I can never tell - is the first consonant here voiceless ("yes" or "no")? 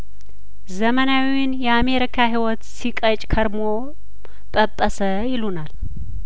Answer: no